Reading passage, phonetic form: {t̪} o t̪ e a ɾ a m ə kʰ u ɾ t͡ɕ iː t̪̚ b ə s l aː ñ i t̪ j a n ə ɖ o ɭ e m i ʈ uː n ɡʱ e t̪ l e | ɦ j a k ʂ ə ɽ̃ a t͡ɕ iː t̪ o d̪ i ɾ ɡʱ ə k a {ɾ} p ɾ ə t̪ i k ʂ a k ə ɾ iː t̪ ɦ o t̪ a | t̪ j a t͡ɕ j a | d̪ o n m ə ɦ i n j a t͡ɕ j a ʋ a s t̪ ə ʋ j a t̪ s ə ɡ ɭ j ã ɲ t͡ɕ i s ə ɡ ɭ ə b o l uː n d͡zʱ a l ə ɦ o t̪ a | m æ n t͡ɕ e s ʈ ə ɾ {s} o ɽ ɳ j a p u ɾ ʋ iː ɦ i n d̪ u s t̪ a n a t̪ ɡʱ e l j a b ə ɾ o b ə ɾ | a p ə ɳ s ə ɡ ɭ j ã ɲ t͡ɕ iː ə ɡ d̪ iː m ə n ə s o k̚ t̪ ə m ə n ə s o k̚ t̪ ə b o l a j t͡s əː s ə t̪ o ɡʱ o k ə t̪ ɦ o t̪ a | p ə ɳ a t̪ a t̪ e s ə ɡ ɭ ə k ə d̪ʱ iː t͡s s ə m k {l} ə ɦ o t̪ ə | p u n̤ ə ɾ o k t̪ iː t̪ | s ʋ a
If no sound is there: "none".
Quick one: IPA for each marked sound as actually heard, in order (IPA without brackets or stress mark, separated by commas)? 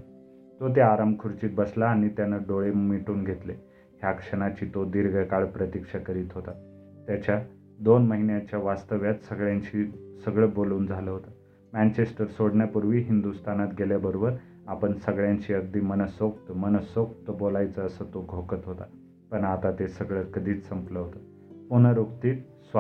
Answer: t̪, ɭ, s, l